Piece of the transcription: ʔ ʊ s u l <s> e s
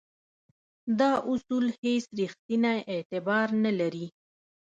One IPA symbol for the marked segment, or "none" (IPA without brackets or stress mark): h